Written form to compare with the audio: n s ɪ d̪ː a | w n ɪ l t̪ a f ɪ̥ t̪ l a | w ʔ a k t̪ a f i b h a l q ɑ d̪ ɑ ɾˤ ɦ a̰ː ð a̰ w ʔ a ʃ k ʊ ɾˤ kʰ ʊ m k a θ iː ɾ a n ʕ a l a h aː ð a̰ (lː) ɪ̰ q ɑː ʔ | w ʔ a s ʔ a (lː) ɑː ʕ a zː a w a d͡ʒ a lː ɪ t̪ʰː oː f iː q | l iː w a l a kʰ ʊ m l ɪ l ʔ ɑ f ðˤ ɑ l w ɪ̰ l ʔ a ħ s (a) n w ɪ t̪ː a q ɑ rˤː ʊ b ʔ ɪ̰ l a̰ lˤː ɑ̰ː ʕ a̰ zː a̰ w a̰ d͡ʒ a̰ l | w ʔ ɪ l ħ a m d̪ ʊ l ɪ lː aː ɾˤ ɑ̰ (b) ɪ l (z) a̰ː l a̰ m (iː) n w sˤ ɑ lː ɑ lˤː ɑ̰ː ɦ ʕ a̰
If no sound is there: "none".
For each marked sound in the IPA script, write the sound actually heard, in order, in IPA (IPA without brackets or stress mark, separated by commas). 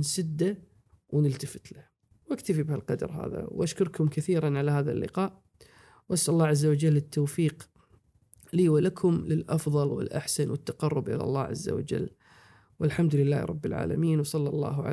lː, lː, a, bː, ʕ, iː